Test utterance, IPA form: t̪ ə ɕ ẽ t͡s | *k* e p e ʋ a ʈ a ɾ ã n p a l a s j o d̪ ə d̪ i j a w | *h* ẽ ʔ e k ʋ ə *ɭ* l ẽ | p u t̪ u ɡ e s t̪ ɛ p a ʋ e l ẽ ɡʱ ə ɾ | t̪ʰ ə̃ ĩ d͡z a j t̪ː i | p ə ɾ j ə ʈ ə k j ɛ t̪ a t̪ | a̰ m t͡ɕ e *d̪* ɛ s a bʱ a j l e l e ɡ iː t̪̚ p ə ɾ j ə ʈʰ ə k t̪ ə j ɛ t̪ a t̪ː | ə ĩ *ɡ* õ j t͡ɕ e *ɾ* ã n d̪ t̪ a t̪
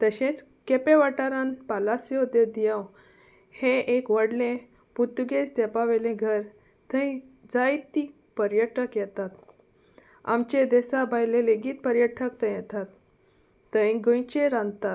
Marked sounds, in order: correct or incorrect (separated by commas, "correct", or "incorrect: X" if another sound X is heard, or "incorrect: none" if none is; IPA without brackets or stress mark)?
correct, correct, incorrect: ɽ, correct, correct, correct